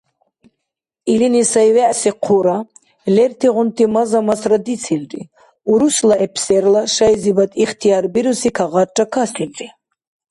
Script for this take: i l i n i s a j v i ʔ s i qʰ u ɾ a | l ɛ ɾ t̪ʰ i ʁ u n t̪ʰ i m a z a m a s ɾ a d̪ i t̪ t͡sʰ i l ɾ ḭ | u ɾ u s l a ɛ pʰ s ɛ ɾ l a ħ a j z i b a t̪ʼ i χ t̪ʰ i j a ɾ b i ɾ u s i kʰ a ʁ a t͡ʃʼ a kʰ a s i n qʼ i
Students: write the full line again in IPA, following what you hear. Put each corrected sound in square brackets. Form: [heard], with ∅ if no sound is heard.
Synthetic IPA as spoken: i l i n i s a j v [ɛ] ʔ s i qʰ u ɾ a | l ɛ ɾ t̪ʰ i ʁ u n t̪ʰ i m a z a m a s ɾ a d̪ i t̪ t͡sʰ i l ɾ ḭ | u ɾ u s l a ɛ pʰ s ɛ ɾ l a [ʃ] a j z i b a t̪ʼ i χ t̪ʰ i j a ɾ b i ɾ u s i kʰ a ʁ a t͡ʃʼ a kʰ a s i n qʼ i